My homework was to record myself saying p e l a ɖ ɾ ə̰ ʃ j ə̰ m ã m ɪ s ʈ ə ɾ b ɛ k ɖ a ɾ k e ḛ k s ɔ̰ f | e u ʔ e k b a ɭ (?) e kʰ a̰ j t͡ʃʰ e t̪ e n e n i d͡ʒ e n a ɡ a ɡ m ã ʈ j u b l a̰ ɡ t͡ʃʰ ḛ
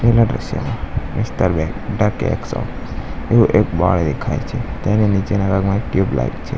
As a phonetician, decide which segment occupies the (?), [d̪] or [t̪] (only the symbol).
d̪